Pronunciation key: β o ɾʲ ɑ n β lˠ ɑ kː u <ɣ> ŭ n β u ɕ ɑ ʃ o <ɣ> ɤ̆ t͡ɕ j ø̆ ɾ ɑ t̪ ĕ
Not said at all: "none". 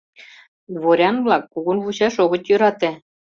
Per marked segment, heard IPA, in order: ɣ, ɣ

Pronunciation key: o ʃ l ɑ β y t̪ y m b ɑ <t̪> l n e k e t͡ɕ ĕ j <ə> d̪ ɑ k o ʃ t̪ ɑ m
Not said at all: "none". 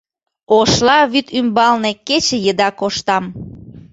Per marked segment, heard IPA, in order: none, ə

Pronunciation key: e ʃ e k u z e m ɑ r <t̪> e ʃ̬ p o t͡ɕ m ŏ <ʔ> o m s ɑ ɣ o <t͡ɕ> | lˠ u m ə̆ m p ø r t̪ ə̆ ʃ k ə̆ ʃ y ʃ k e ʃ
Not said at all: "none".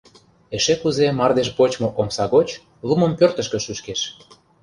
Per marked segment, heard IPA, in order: d̪, ʔ, t͡ɕ

